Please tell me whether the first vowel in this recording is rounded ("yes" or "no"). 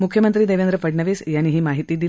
yes